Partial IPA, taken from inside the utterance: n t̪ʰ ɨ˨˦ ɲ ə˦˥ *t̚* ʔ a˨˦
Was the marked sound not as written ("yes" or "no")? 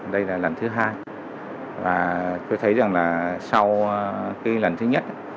no